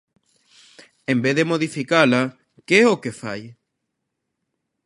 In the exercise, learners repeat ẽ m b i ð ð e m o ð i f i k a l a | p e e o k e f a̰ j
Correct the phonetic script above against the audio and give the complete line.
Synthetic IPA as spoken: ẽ m b e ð ð e m o ð i f i k a l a | k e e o k e f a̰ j